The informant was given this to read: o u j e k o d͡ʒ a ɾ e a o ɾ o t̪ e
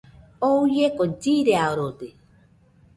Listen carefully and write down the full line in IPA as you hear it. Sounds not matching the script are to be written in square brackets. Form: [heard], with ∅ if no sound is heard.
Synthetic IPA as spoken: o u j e k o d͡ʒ [i] ɾ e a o ɾ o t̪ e